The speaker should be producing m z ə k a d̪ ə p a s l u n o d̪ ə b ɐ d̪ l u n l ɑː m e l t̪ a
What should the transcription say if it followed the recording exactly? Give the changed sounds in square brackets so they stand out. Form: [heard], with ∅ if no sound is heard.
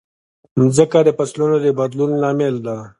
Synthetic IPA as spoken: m z ə k a d̪ ə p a s l u n o d̪ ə b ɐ d̪ l u n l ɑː m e l [d̪] a